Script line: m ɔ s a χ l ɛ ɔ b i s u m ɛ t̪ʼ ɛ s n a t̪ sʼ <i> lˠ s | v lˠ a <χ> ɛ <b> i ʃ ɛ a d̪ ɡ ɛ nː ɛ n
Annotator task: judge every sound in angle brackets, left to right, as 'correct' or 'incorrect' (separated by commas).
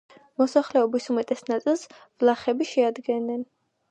correct, correct, correct